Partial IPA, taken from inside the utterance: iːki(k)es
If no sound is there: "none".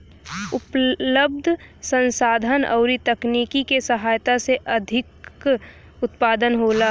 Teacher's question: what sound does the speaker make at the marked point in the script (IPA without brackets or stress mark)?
k